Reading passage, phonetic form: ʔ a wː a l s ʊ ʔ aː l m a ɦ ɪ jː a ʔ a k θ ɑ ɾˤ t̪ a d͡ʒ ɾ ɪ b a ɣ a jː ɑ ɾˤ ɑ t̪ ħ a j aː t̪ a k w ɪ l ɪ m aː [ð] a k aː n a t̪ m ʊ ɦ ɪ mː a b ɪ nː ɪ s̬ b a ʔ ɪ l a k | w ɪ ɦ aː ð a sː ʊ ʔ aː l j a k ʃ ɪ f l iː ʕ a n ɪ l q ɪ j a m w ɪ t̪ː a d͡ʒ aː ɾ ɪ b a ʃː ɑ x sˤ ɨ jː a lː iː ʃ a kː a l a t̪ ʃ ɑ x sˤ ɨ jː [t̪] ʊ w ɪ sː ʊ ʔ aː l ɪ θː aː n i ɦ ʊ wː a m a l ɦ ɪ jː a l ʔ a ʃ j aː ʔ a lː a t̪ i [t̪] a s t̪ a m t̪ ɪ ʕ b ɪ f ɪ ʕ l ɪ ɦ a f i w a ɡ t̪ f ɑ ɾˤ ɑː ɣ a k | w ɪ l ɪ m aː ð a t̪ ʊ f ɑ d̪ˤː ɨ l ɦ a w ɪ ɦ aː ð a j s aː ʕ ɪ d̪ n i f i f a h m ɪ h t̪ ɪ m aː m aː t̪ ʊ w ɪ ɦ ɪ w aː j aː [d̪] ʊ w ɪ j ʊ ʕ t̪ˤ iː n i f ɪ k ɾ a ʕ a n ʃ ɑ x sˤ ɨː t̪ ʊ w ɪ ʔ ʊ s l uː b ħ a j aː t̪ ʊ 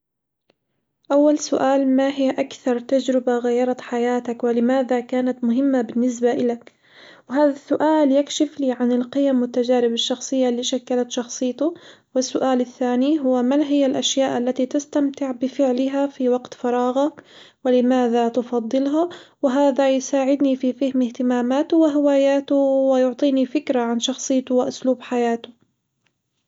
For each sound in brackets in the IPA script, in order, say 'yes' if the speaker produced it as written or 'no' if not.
yes, yes, yes, no

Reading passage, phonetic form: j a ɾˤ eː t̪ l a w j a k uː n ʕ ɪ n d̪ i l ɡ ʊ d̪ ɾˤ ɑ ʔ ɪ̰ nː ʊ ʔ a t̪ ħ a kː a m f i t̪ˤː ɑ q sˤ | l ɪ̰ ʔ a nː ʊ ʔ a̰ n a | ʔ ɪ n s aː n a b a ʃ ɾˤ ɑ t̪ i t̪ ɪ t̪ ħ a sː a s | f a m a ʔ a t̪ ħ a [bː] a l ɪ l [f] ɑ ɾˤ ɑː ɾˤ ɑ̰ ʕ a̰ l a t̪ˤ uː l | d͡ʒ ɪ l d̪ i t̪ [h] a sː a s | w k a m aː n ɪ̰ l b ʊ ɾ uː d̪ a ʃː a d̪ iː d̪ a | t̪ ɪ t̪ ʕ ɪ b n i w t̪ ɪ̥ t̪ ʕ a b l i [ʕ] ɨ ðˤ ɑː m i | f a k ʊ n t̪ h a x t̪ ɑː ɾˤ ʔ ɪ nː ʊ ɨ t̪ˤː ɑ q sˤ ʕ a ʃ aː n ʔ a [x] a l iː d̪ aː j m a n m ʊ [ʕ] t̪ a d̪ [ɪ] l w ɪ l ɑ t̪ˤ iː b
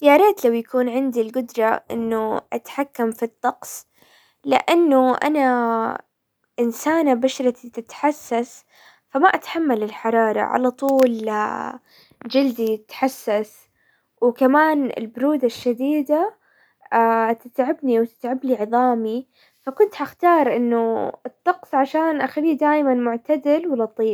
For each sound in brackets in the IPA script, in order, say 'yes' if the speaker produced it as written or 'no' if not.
no, no, no, yes, yes, yes, yes

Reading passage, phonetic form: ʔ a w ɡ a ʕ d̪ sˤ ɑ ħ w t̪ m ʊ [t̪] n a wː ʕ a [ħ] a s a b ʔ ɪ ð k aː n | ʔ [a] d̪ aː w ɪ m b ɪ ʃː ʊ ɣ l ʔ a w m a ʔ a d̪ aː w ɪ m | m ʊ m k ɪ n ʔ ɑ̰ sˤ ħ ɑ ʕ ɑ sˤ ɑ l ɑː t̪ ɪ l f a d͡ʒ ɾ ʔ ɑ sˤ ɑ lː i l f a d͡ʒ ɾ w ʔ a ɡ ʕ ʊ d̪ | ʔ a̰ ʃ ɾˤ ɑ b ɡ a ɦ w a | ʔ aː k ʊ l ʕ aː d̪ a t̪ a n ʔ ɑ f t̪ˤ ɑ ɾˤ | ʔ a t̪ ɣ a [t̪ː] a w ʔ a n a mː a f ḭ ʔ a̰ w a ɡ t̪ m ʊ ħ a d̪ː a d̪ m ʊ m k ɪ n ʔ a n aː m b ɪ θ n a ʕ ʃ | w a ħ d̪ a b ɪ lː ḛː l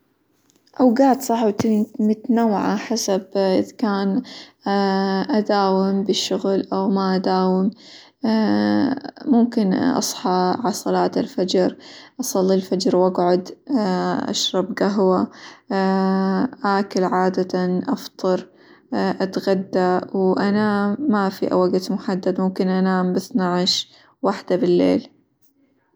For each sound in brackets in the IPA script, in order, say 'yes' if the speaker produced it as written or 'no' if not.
yes, yes, yes, no

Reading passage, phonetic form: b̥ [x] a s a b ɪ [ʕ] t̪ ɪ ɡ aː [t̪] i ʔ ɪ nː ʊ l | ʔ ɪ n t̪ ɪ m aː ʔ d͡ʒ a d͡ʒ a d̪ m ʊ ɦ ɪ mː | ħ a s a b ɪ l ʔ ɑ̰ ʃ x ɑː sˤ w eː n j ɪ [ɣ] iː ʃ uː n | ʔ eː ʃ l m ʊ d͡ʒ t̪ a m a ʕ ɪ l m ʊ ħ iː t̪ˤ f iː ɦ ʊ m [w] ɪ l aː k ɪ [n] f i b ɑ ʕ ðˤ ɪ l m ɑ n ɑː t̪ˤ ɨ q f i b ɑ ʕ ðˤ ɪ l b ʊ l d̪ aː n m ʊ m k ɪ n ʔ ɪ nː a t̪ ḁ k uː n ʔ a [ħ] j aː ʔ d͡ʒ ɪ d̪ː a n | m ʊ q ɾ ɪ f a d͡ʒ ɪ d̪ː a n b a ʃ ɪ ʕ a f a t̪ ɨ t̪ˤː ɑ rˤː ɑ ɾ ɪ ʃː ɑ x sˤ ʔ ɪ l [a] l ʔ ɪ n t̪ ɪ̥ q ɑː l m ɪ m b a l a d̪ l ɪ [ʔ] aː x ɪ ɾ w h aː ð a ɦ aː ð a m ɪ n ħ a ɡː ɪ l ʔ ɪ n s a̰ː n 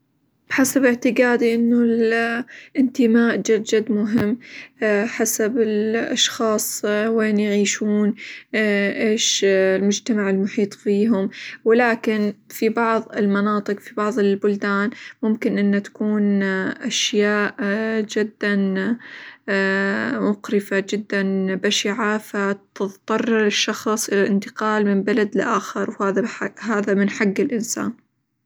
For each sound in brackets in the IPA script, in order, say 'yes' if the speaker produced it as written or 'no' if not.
no, yes, no, no, yes, yes, no, yes, yes

